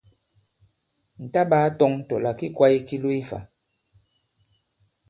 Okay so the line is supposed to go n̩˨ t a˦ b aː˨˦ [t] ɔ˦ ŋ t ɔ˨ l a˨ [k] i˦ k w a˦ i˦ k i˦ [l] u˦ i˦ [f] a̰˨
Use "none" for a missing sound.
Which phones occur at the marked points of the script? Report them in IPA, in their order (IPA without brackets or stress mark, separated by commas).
t, k, l, f